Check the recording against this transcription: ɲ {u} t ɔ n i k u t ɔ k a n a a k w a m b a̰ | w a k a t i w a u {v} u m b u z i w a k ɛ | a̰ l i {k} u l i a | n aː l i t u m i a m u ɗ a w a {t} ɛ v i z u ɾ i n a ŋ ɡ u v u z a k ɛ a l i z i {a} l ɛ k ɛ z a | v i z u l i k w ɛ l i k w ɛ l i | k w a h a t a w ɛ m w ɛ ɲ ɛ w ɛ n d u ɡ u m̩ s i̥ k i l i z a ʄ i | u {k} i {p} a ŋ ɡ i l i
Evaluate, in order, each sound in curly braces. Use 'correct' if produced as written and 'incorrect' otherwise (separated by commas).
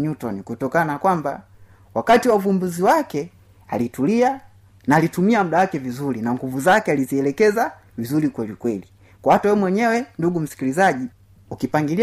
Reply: correct, correct, incorrect, incorrect, incorrect, correct, correct